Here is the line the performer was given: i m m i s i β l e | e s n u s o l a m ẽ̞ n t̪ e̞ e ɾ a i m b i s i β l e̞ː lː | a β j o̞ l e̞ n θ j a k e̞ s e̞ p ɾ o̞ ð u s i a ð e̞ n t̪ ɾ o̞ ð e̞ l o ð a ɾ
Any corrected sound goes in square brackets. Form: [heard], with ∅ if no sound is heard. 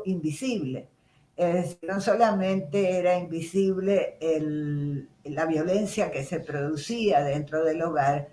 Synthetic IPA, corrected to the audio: i m [b] i s i β l e | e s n [o] s o l a m ẽ̞ n t̪ e̞ e ɾ a i m b i s i β l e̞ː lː | a β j o̞ l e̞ n [s] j a k e̞ s e̞ p ɾ o̞ ð u s i a ð e̞ n t̪ ɾ o̞ ð e̞ l o [ɣ] a ɾ